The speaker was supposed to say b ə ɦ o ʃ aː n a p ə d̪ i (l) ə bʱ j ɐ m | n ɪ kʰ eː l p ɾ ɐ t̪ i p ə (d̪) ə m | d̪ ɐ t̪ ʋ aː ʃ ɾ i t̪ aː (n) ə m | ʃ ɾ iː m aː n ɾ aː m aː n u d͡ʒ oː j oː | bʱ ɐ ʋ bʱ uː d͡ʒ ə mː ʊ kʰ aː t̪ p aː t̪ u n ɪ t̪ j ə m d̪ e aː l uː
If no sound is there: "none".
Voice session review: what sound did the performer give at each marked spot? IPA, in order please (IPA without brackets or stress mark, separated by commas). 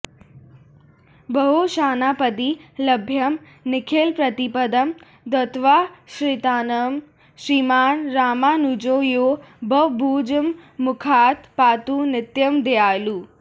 l, d̪, n